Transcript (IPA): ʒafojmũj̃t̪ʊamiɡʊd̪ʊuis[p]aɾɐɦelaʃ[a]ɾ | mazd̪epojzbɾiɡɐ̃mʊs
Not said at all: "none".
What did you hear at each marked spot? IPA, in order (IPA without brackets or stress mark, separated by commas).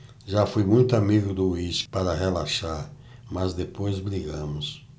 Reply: p, a